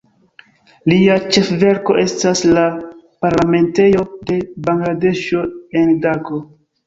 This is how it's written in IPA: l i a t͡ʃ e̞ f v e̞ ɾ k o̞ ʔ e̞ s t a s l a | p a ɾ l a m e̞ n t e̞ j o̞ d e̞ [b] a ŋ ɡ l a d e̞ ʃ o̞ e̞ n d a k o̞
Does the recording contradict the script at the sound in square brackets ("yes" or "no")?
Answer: no